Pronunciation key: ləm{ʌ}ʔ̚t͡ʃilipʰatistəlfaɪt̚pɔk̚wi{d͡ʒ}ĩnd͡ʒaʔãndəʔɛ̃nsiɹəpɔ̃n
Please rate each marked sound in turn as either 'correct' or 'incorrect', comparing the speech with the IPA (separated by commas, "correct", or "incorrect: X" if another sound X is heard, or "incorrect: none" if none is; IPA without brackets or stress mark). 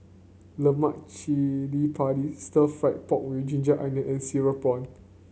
incorrect: a, correct